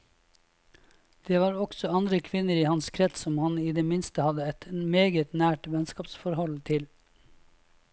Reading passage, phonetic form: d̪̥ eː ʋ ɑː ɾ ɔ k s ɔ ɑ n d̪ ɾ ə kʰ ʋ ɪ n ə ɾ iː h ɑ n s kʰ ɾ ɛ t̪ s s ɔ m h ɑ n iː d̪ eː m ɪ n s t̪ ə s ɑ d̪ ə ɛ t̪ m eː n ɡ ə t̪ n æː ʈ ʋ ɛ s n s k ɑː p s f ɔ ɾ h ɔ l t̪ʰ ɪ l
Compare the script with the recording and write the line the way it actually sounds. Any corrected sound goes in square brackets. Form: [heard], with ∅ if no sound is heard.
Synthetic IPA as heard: d̪̥ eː ʋ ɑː ɾ ɔ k s ɔ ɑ n d̪ ɾ ə kʰ ʋ ɪ n ə ɾ iː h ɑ n s kʰ ɾ ɛ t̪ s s ɔ m h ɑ n iː d̪ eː m ɪ n s t̪ ə [h] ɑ d̪ ə ɛ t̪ m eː [∅] ɡ ə t̪ n æː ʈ ʋ ɛ [∅] n s k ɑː p s f ɔ ɾ h ɔ l t̪ʰ ɪ l